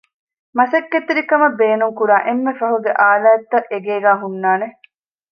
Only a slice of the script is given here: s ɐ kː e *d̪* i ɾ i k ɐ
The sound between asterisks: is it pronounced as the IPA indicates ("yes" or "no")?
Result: no